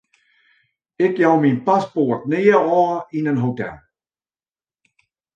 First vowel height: high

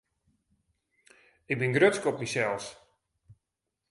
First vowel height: high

